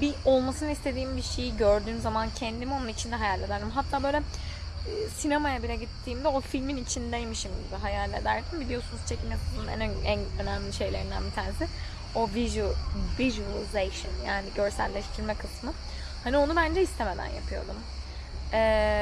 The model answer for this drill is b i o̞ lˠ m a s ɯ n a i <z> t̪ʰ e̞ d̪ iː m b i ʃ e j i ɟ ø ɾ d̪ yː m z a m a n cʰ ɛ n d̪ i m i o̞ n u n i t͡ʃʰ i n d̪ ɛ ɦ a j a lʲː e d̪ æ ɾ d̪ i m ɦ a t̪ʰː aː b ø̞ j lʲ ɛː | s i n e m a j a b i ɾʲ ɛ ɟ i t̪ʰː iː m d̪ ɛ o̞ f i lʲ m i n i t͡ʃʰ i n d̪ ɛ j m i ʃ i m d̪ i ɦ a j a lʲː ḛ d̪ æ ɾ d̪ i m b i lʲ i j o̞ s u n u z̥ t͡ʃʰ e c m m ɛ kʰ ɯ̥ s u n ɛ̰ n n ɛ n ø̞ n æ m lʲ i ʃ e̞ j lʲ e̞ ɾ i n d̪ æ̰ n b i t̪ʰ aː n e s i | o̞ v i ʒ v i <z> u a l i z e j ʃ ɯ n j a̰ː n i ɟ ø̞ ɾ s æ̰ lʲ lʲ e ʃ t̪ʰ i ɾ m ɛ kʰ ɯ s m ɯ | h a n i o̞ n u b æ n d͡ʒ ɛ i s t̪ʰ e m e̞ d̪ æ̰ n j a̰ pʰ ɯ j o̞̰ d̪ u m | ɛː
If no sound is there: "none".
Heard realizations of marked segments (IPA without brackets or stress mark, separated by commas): s, ʒ